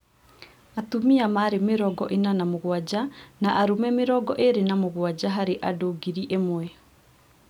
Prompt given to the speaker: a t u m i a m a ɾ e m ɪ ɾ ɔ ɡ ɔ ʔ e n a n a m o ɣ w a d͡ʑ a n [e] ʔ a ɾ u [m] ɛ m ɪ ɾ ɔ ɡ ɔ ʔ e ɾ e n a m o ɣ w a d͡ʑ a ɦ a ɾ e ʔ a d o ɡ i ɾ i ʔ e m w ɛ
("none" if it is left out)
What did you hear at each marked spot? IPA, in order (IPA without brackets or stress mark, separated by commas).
a, m